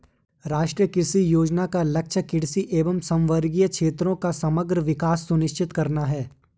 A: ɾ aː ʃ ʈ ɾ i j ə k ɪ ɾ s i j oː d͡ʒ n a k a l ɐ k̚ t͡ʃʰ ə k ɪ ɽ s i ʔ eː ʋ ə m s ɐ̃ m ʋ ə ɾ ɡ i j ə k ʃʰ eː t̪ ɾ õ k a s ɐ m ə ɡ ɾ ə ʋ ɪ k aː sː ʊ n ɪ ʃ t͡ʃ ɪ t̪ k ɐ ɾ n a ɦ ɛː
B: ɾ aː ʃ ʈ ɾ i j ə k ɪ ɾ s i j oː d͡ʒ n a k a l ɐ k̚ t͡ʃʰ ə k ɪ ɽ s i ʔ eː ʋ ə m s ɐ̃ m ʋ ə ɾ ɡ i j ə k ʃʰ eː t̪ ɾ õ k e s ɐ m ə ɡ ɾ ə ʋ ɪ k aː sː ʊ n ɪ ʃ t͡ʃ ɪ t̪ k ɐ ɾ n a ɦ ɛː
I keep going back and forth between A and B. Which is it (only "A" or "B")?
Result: A